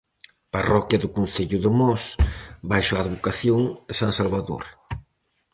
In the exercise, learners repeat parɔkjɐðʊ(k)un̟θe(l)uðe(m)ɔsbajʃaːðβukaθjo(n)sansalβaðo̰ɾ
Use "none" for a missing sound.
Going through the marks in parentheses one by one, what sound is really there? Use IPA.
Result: k, ʎ, m, ŋ

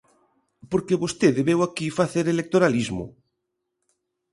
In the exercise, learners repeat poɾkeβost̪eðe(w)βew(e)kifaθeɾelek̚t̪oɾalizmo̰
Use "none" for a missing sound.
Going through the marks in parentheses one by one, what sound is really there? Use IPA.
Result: none, a

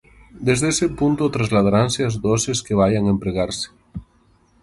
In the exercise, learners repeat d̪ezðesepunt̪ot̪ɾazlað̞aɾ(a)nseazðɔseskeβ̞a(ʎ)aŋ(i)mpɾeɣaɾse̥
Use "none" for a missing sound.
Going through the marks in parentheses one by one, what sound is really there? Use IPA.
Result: a, j, e

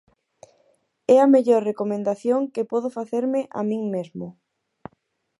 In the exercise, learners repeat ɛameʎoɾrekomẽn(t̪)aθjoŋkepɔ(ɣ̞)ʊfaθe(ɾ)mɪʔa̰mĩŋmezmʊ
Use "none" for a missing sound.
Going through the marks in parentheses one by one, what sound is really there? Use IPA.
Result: d̪, ð̞, ɾ

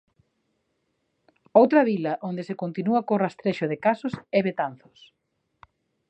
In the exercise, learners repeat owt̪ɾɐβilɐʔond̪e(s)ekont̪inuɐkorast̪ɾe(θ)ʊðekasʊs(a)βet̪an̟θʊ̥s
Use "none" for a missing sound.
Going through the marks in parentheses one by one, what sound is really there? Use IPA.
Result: s, ʃ, ɛ

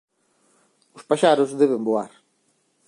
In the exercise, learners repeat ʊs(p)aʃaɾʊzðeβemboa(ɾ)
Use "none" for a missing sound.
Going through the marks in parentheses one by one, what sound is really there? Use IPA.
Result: p, ɾ

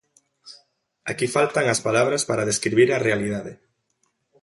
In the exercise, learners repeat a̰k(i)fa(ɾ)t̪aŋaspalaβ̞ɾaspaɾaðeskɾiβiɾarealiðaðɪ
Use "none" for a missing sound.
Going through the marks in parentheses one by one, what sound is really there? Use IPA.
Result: i, l

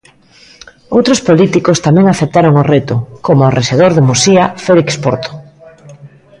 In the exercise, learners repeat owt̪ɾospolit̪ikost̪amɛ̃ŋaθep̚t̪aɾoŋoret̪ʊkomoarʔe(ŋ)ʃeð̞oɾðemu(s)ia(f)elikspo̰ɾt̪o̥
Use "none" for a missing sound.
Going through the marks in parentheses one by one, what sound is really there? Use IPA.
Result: none, s, f

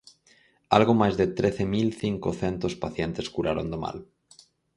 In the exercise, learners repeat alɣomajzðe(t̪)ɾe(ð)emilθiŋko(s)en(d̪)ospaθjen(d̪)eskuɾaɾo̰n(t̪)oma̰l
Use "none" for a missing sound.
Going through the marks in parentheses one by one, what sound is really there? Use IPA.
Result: t̪, θ, θ, t̪, t̪, d̪

